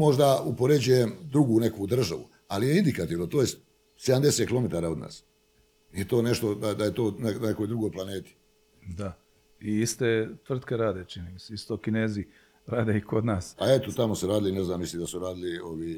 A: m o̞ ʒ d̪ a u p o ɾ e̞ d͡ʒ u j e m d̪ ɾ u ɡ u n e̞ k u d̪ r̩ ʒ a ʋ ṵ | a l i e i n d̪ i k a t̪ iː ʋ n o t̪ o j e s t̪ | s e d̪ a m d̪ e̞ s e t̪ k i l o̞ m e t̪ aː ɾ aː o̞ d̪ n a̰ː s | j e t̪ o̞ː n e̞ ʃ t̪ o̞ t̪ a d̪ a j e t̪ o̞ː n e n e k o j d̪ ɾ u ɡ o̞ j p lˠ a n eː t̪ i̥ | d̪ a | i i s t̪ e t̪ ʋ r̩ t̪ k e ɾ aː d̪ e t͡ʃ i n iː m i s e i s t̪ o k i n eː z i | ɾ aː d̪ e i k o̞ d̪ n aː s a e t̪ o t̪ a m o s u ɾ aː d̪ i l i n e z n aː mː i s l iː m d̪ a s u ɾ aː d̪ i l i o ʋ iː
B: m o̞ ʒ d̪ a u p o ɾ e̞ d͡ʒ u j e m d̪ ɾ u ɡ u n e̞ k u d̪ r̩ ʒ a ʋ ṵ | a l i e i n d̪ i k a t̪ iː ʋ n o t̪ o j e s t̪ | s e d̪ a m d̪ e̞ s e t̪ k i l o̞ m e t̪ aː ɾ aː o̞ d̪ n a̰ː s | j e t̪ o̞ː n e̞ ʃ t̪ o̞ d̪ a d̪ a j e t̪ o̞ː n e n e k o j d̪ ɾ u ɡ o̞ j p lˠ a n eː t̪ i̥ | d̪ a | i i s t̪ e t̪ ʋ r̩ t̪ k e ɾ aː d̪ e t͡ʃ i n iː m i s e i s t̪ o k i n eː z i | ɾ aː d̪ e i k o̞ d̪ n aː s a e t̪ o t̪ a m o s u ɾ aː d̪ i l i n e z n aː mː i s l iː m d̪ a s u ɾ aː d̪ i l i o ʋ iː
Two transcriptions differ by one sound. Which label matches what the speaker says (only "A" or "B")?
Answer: B